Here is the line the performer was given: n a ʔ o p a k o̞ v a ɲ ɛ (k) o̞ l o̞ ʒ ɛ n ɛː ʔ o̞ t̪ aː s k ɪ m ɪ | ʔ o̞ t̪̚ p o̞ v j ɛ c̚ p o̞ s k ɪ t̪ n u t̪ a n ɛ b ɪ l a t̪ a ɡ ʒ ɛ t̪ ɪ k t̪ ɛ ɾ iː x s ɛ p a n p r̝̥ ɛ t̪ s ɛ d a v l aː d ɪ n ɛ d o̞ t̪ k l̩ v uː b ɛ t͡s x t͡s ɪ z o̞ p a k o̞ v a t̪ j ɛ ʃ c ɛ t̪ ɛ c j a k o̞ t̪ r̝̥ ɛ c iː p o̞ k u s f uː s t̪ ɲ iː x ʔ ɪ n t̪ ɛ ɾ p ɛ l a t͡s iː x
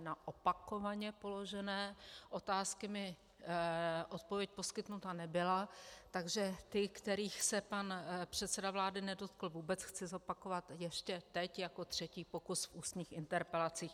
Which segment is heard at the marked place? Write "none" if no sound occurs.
p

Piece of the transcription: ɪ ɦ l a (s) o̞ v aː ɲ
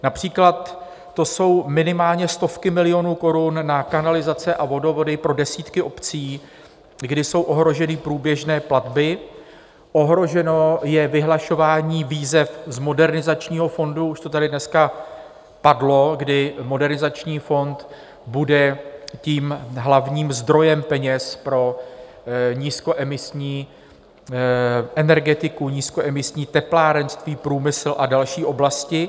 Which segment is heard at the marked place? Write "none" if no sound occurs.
ʃ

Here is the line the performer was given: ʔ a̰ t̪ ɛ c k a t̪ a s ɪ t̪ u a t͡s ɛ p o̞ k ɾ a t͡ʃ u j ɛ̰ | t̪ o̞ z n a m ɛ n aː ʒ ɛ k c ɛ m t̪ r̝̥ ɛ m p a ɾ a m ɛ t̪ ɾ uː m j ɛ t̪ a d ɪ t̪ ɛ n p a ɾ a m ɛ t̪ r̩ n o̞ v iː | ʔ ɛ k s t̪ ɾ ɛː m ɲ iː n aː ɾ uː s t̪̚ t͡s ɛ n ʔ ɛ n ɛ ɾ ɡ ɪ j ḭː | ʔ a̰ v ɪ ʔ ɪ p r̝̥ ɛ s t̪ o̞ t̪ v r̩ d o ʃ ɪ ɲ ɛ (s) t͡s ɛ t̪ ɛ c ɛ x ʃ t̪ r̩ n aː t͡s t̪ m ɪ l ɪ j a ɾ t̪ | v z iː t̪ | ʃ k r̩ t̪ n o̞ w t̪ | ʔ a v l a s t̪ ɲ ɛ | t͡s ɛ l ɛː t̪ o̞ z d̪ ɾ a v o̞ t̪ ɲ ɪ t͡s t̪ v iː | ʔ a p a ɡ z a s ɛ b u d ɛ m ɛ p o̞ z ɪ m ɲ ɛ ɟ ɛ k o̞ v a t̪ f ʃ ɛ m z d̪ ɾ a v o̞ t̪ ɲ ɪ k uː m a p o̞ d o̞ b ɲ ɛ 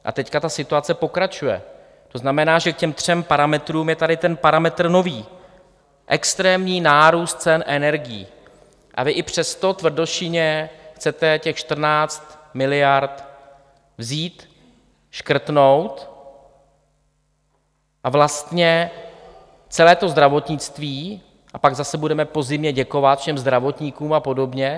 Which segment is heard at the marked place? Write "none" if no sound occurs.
x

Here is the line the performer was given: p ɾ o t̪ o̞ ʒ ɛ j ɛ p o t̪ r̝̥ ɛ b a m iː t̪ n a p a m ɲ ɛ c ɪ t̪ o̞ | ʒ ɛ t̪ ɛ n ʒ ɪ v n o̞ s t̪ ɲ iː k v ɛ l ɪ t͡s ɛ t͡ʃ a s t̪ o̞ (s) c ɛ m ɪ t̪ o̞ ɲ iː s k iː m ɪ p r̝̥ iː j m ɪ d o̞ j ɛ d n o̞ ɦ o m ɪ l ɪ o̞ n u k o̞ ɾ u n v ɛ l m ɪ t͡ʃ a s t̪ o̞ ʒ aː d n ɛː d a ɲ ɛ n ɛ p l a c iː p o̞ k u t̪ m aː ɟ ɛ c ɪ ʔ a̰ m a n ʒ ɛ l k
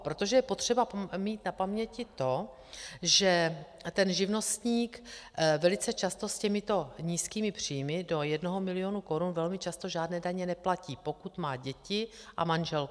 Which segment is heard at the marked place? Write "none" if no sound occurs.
s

